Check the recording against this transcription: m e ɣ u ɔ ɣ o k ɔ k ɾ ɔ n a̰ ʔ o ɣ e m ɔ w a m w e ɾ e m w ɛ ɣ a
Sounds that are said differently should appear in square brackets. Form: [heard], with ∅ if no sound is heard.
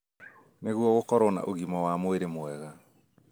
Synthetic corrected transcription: [n] e ɣ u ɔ ɣ o k ɔ [∅] ɾ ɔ n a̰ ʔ o ɣ [i] m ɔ w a m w e ɾ e m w ɛ ɣ a